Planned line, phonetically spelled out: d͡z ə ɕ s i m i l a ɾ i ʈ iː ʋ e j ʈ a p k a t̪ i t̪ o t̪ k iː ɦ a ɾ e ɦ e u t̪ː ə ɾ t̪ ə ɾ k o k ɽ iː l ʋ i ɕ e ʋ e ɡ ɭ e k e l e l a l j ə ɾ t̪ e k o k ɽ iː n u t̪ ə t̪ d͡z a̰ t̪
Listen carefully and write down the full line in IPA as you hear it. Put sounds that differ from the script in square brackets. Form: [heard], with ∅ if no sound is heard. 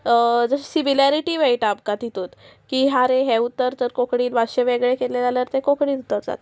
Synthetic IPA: d͡z ə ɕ s i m i l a ɾ i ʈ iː ʋ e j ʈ a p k a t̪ i t̪ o t̪ k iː ɦ a ɾ e ɦ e u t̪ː ə ɾ t̪ ə ɾ k o k ɽ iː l ʋ [a] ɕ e ʋ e ɡ ɭ e k e l e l a l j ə ɾ t̪ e k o k ɽ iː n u t̪ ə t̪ d͡z a̰ t̪